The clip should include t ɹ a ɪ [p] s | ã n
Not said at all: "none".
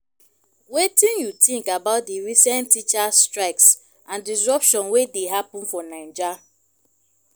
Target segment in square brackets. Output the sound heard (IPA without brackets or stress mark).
k